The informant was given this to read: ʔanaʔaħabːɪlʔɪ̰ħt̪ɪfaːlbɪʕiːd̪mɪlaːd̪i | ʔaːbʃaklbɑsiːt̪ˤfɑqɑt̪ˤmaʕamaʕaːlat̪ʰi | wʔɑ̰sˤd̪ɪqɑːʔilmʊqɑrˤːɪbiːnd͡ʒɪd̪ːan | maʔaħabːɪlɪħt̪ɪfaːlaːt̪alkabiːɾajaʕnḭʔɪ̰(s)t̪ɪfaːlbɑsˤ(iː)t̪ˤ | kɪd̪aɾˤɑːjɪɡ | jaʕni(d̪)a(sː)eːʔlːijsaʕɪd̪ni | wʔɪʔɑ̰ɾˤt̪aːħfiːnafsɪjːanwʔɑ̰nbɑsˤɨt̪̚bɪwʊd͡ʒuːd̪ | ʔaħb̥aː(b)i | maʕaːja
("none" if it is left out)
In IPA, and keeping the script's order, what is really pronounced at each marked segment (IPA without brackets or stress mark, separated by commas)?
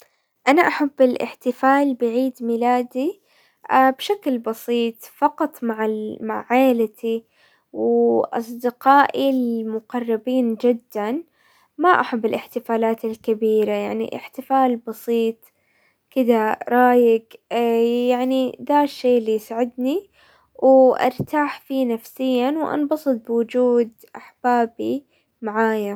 ħ, iː, d̪, ʃː, b